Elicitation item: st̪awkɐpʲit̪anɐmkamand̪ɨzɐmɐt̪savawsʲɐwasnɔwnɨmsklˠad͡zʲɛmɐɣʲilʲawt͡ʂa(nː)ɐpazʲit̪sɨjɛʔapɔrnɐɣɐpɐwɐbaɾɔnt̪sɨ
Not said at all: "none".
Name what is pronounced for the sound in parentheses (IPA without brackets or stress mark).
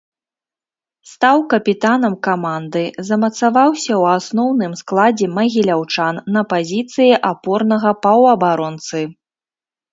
nː